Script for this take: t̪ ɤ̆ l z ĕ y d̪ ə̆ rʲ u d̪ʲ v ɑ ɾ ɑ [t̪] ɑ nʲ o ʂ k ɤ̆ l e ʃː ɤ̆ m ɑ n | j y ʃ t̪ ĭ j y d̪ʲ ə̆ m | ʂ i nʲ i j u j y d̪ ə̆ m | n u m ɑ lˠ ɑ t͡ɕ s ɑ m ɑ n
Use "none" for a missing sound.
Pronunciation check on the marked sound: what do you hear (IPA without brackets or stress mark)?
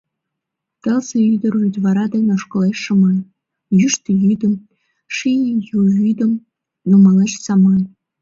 d̪